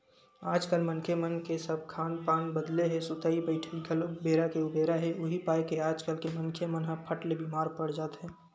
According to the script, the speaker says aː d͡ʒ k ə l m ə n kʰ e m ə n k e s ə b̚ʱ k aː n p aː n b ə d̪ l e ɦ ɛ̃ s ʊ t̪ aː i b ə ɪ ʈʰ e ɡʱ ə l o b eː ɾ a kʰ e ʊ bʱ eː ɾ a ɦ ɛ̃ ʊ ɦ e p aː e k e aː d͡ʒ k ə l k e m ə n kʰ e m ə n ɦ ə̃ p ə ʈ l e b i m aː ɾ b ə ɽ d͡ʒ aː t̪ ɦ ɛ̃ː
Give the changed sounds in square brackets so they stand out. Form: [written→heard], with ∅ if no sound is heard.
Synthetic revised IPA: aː d͡ʒ k ə l m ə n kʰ e m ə n k e s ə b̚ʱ [k→kʰ] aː n p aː n b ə d̪ l e ɦ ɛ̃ s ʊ t̪ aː i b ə ɪ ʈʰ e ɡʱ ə l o b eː ɾ a [kʰ→k] e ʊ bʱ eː ɾ a ɦ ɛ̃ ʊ ɦ [e→i] p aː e k e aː d͡ʒ k ə l k e m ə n kʰ e m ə n ɦ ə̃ [p→pʰ] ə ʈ l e b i m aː ɾ [b→p] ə ɽ d͡ʒ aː t̪ ɦ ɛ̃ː

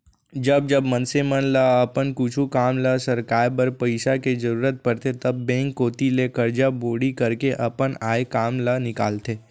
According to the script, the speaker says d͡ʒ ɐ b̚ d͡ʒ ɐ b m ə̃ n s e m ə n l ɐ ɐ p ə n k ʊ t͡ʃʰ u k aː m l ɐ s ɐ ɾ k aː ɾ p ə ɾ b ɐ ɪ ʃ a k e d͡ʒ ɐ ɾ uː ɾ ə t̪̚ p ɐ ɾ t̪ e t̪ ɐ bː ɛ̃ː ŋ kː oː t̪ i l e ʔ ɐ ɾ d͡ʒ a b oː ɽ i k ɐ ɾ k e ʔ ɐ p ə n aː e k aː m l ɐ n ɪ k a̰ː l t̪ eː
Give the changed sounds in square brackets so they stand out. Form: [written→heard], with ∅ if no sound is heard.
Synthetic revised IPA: d͡ʒ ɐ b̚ d͡ʒ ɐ b m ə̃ n s e m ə n l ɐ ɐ p ə n k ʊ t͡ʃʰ u k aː m l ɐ s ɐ ɾ k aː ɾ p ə ɾ [b→p] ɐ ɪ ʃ a k e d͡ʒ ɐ ɾ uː ɾ ə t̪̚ p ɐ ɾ t̪ e t̪ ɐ bː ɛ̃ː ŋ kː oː t̪ i l e [ʔ→k] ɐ ɾ d͡ʒ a b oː ɽ i k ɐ ɾ k e ʔ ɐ p ə n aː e k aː m l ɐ n ɪ k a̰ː l t̪ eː

